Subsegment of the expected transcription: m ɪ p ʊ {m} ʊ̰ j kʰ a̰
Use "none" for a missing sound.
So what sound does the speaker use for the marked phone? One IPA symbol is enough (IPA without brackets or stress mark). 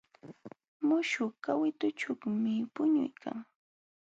ɲ